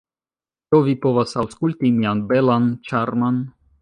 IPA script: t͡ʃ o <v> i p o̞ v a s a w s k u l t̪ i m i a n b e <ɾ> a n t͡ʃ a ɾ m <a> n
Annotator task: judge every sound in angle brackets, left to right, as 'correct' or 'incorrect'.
correct, incorrect, correct

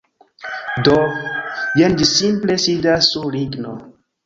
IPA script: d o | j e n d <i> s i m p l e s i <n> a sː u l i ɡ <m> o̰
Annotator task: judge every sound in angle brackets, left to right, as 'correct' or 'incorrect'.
correct, incorrect, incorrect

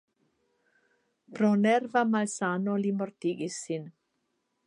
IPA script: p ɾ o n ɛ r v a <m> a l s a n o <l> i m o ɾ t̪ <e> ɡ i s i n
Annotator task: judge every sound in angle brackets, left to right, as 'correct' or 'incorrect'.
correct, correct, incorrect

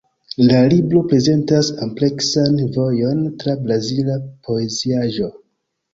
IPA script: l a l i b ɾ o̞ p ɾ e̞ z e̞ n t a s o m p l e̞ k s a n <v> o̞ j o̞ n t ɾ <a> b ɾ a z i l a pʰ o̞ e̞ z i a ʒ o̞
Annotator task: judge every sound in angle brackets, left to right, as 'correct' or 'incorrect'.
correct, correct

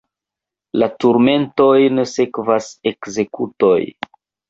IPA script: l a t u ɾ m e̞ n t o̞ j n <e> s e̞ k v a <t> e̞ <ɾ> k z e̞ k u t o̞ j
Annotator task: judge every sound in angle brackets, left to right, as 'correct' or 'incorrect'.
correct, incorrect, incorrect

